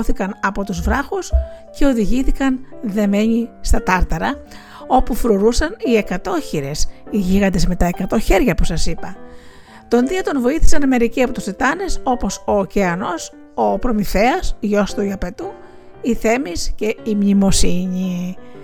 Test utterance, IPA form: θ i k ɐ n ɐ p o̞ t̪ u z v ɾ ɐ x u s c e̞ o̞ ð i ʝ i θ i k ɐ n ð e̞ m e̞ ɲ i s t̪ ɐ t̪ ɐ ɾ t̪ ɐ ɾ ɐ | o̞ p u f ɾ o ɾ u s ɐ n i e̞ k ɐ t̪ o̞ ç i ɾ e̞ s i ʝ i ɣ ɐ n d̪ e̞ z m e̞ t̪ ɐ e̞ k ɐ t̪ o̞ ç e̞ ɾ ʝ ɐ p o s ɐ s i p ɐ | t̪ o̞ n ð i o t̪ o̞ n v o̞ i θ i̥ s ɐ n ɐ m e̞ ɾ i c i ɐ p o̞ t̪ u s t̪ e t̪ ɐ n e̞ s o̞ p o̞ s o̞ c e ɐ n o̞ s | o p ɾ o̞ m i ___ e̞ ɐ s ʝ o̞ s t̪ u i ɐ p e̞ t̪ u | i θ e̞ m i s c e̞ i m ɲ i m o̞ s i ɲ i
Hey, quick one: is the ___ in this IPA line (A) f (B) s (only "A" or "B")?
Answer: A